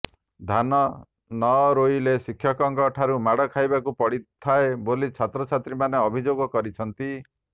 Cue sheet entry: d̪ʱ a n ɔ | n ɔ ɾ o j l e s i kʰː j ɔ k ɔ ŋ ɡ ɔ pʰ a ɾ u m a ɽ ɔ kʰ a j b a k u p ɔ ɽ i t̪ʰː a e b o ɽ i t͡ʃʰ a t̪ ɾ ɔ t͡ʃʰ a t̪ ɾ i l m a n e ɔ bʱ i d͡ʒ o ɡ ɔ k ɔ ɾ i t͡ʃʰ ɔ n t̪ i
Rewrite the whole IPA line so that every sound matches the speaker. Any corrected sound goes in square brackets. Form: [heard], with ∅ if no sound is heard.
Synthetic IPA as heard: d̪ʱ a n ɔ | n ɔ ɾ o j l e s i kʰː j ɔ k ɔ ŋ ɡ ɔ [ʈʰ] a ɾ u m a ɽ ɔ kʰ a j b a k u p ɔ ɽ i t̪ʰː a e b o [l] i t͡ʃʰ a t̪ ɾ ɔ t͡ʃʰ a t̪ ɾ i [∅] m a n e ɔ bʱ i d͡ʒ o ɡ ɔ k ɔ ɾ i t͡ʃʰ ɔ n t̪ i